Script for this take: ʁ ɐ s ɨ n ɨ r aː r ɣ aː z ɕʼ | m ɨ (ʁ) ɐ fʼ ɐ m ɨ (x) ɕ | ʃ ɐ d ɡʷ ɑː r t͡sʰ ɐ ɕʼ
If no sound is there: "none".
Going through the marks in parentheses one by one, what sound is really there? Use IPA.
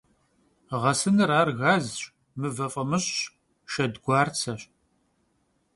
v, ɕ

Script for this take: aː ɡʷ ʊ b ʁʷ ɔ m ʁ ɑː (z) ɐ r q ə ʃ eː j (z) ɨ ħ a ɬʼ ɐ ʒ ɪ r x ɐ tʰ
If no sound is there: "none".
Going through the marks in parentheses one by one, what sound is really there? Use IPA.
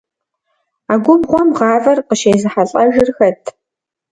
v, z

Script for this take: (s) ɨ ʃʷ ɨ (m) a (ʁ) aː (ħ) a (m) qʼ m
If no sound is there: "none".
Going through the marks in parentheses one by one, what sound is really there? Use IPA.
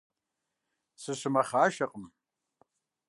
s, m, χ, ʃ, none

